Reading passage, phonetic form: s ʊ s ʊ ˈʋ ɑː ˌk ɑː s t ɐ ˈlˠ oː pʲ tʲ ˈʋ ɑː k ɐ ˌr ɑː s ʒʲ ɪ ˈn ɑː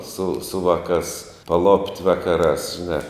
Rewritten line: s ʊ s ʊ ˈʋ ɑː ˌk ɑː s p ɐ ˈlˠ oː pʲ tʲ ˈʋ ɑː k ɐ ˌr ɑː s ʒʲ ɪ ˈn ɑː